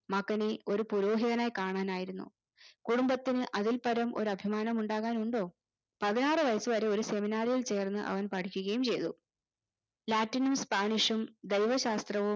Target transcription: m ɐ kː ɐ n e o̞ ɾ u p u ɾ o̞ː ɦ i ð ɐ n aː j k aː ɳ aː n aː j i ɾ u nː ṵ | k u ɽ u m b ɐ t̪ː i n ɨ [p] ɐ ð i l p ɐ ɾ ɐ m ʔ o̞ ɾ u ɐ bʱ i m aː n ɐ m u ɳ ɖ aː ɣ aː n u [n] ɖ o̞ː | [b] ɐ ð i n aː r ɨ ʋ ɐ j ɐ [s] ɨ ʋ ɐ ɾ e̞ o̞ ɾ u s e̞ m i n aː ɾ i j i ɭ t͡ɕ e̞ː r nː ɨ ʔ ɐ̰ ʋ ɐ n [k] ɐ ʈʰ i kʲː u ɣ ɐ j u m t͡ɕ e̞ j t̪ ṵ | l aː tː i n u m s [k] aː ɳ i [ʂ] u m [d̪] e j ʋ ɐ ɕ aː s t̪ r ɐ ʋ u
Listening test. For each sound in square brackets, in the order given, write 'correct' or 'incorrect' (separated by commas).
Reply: incorrect, incorrect, incorrect, correct, incorrect, incorrect, correct, correct